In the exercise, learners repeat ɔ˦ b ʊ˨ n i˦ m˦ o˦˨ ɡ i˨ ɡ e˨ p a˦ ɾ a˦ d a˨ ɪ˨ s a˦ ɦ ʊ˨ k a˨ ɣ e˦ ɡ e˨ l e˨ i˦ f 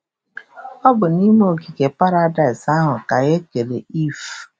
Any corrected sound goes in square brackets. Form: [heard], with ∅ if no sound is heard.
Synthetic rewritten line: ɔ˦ b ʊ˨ n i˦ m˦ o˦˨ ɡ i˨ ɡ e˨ p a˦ ɾ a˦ d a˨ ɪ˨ s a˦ ɦ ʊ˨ k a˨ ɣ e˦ [k] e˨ l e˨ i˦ f

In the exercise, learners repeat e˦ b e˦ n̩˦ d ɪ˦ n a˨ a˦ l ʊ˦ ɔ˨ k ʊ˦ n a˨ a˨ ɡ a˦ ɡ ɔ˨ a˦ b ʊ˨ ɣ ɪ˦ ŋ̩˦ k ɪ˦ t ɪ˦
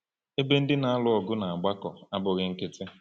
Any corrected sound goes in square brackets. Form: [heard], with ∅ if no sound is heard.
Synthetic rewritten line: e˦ b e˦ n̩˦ d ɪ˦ n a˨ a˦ l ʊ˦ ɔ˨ [ɡ] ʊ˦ n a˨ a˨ [ɡ͡b] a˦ [k] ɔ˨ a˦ b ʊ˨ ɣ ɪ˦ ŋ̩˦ k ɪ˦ t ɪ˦

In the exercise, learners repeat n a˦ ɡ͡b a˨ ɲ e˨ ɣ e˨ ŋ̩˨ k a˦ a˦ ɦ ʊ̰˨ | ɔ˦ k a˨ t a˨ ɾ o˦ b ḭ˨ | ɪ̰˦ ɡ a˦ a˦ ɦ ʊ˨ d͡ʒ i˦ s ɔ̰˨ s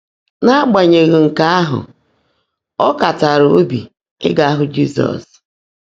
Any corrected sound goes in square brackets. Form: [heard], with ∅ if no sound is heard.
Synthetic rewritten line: n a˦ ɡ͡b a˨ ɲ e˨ ɣ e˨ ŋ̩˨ k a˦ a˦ ɦ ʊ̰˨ | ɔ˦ k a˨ t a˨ ɾ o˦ b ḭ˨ | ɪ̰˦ ɡ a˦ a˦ ɦ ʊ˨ d͡ʒ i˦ s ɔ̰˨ s

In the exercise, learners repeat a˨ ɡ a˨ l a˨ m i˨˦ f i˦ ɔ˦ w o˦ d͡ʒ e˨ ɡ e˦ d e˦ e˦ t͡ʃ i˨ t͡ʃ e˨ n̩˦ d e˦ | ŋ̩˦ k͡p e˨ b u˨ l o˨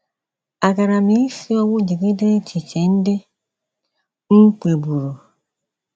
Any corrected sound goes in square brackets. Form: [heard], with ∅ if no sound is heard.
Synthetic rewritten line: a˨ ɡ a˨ [ɾ] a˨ m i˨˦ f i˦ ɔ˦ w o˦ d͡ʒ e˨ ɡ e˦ d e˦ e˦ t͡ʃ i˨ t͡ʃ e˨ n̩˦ d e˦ | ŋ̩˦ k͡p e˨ b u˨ [ɾ] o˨

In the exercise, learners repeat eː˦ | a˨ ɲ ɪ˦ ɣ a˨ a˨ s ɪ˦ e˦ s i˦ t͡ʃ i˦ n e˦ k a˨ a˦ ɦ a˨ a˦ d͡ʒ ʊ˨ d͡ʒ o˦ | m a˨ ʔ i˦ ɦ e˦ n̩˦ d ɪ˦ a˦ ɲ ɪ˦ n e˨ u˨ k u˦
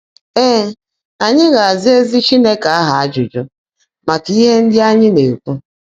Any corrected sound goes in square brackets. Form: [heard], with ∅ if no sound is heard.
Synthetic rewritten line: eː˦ | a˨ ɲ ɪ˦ ɣ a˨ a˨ [z] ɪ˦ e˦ [z] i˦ t͡ʃ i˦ n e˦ k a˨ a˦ ɦ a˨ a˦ d͡ʒ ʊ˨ d͡ʒ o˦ | m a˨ [k] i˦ ɦ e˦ n̩˦ d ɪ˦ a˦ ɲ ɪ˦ n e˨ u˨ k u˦

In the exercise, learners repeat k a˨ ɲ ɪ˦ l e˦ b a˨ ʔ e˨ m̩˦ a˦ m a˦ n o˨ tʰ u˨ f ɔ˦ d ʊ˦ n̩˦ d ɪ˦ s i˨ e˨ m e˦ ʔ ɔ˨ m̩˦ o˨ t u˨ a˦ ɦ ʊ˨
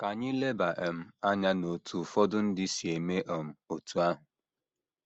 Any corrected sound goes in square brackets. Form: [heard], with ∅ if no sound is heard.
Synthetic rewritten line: k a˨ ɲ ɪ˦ l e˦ b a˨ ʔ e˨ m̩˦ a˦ [ɲ] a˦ n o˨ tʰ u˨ f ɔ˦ d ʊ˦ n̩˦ d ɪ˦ s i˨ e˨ m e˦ ʔ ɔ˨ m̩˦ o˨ t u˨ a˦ ɦ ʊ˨

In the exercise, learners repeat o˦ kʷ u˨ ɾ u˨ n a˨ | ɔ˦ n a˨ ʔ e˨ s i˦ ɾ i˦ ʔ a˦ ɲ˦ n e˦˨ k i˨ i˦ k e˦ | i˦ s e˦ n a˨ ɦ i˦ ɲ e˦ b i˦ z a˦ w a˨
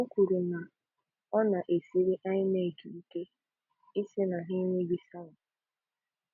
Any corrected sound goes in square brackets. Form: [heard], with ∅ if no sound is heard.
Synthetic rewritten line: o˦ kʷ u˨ ɾ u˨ n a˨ | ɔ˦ n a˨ ʔ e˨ s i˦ ɾ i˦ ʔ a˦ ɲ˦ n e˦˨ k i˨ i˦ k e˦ | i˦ s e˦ n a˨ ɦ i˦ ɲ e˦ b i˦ [s] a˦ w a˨

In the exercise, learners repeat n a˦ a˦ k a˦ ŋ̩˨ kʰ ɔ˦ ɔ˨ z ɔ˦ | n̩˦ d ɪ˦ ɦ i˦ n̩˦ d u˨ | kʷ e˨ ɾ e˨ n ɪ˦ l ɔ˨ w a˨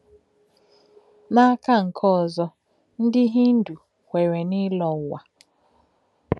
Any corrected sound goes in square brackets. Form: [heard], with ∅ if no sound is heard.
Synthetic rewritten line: n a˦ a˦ k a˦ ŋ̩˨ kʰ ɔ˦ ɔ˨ z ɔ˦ | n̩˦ d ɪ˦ ɦ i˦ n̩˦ d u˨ | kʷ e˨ ɾ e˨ n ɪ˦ l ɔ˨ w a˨

